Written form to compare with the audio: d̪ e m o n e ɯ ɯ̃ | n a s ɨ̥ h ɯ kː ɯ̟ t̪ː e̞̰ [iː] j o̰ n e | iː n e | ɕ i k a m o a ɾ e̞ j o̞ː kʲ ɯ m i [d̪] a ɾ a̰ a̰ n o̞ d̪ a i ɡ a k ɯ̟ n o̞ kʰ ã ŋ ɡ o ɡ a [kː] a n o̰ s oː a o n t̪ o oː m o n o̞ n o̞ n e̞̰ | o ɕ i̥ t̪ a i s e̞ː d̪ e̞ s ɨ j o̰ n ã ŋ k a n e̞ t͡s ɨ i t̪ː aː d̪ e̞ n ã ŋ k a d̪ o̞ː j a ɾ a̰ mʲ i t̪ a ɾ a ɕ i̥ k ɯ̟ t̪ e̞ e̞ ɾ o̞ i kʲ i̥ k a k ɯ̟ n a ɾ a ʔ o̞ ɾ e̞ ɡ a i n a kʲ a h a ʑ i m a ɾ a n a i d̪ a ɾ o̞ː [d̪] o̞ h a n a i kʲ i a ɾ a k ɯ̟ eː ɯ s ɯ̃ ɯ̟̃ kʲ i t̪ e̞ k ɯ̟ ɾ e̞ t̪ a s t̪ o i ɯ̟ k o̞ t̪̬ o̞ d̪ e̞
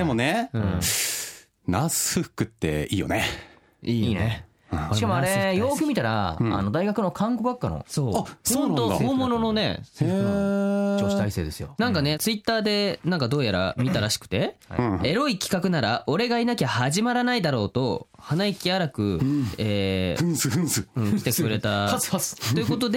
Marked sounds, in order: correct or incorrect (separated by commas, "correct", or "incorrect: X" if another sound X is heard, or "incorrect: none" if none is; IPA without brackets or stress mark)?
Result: correct, incorrect: t̪, correct, incorrect: t̪